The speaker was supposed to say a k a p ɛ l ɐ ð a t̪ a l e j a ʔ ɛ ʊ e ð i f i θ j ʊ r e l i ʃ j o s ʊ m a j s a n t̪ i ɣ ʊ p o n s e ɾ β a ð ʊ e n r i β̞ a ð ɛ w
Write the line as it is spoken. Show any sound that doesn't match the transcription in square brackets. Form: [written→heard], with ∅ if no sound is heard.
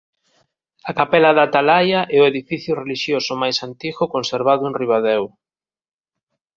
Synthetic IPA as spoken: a k a p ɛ l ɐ ð a t̪ a l [e→a] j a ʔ ɛ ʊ e ð i f i θ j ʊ r e l i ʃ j o s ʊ m a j s a n t̪ i ɣ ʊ [p→k] o n s e ɾ β a ð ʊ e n r i β̞ a ð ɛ w